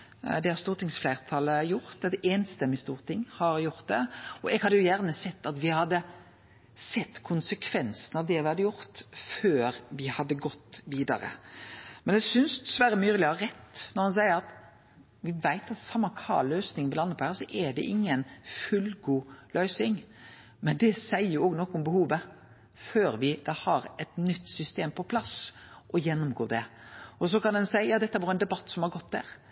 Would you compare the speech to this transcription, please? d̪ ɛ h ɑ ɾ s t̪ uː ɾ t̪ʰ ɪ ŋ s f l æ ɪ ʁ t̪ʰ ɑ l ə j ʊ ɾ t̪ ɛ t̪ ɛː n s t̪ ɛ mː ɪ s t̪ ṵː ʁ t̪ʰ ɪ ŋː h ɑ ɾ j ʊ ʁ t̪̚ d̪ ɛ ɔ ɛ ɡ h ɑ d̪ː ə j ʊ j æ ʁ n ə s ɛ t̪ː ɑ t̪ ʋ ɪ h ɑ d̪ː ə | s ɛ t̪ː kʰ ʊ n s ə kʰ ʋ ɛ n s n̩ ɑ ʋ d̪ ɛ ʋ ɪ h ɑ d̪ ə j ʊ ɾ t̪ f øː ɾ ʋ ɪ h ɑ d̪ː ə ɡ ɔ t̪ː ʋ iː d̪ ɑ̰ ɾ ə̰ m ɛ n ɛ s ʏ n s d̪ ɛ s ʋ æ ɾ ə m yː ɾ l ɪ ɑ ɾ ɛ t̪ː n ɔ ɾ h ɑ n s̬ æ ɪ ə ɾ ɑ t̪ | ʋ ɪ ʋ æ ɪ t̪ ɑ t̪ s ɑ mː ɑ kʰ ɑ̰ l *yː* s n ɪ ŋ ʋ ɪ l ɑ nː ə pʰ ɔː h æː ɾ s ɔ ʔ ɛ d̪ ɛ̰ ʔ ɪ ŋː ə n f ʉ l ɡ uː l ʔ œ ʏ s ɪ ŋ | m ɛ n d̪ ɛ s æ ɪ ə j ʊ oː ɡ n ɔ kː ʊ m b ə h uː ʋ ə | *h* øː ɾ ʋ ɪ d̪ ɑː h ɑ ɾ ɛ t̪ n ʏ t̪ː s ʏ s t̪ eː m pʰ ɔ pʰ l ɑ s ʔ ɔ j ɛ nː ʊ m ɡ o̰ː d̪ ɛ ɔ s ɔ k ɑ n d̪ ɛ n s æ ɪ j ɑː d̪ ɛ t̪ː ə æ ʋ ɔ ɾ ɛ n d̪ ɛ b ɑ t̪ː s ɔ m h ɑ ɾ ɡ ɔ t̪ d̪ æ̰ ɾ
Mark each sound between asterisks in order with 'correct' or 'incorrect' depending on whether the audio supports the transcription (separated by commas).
incorrect, incorrect